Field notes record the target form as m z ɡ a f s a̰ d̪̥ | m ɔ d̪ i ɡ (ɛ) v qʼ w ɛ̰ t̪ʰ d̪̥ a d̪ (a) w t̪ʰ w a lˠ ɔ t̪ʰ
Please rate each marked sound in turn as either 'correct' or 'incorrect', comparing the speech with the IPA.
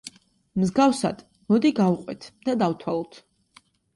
incorrect: a, correct

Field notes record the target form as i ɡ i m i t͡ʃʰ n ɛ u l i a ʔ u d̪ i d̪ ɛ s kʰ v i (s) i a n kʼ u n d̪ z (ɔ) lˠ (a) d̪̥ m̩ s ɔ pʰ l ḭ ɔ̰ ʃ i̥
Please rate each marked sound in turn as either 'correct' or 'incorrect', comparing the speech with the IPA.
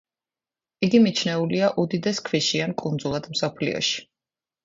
incorrect: ʃ, incorrect: u, correct

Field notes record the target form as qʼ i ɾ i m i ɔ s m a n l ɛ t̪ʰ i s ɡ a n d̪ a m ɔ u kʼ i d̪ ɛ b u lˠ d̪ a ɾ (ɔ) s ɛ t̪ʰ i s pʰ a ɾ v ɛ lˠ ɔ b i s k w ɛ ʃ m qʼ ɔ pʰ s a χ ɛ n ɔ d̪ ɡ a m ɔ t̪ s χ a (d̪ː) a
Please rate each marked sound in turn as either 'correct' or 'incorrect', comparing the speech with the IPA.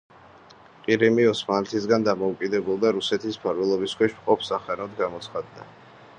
incorrect: u, correct

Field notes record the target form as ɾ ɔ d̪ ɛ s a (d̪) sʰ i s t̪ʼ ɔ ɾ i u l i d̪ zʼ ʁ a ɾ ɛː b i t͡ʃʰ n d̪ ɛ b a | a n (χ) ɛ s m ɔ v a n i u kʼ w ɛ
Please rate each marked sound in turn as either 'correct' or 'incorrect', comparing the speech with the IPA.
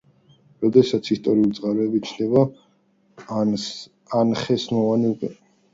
incorrect: t̪, correct

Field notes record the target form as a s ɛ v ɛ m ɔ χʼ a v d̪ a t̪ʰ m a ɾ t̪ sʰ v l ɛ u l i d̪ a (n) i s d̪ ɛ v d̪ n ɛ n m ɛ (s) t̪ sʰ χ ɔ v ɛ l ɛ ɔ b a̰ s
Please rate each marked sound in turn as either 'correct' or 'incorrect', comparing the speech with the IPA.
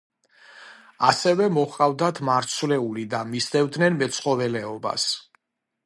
incorrect: m, incorrect: none

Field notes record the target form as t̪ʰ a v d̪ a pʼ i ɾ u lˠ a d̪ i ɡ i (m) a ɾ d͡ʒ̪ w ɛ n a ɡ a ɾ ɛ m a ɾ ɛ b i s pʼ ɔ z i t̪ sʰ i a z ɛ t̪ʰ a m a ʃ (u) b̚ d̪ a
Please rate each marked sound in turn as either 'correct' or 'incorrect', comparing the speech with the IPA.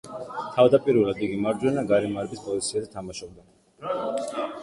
correct, incorrect: ɔ

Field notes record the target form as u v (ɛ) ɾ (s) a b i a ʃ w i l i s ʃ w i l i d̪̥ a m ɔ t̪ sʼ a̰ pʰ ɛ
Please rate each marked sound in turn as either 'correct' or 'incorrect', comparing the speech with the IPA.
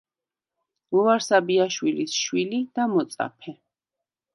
incorrect: a, correct

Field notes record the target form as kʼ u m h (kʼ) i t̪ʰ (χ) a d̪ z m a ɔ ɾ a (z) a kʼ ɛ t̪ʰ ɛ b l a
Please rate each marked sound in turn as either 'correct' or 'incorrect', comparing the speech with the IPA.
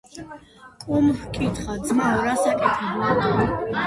correct, correct, incorrect: s

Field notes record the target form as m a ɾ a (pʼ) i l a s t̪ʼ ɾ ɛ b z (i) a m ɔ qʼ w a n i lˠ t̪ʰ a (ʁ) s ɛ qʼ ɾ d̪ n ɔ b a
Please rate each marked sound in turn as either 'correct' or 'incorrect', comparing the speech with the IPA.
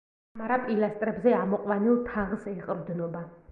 correct, incorrect: ɛ, correct

